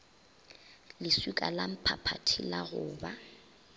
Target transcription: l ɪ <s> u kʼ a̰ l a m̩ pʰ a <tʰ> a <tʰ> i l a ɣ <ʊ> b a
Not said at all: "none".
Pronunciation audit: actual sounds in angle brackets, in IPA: s, pʰ, tʰ, ʊː

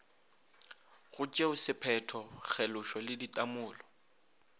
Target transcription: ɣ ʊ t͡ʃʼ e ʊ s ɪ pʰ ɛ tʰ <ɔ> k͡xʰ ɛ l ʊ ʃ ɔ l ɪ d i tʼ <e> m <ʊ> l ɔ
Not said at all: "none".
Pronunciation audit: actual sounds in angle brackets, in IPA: ɔ, a, ʊː

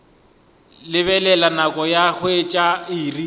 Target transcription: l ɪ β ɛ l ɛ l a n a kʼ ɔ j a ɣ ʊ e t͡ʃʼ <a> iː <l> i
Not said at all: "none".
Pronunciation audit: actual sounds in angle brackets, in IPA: a, r

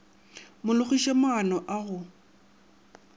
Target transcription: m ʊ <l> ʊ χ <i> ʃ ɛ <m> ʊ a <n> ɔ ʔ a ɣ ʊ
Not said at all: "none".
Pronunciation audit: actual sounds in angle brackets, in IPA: l, i, m, n

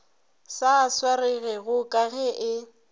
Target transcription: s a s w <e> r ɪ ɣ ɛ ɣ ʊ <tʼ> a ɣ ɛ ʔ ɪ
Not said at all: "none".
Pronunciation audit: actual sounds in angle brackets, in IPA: a, kʼ

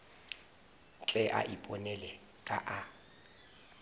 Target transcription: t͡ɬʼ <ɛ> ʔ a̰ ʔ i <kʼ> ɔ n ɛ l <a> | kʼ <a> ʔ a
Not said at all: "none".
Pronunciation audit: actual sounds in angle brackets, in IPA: ɛ, pʼ, ɛ, a

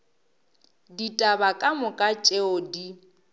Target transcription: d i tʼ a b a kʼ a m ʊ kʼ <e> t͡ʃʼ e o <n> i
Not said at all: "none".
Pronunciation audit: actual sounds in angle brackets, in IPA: a, d

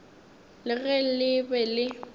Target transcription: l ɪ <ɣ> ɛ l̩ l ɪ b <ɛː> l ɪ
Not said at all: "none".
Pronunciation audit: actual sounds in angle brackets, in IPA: ɣ, ɛ

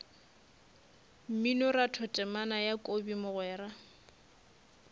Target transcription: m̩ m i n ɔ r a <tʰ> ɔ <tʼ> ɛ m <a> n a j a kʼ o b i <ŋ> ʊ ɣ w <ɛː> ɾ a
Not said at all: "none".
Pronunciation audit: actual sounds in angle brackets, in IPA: tʰ, tʼ, a, m, ɛː

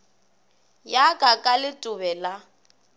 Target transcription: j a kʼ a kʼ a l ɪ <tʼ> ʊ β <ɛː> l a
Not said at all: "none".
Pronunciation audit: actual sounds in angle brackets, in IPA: tʼ, ɛ

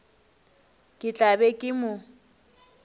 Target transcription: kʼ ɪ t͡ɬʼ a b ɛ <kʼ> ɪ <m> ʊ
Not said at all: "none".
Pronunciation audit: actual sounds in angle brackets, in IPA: kʼ, m

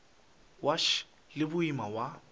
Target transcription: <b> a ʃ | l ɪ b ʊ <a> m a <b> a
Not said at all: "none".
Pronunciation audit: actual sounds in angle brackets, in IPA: w, i, w

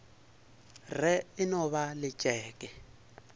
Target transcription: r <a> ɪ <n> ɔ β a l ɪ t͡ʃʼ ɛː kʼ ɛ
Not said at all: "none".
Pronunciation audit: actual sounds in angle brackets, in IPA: ɛ, n

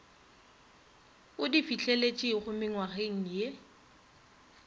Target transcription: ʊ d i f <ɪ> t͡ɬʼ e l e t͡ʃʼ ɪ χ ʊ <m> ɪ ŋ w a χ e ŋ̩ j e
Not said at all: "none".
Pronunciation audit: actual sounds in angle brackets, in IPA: i, m

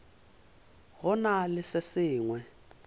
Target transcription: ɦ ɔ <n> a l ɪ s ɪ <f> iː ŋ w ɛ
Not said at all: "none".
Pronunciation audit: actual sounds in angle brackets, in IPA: n, s

